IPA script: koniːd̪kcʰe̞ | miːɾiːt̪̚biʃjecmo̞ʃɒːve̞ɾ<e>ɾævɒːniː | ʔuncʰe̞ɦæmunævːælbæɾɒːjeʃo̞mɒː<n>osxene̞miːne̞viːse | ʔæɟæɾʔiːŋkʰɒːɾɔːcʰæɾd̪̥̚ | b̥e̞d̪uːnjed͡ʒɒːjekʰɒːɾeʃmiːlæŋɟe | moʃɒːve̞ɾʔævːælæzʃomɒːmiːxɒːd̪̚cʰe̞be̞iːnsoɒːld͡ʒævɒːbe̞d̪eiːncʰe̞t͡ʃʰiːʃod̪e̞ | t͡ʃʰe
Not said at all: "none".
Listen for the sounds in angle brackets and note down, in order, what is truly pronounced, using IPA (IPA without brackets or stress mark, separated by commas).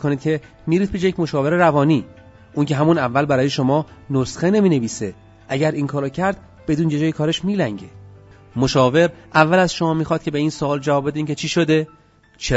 e, n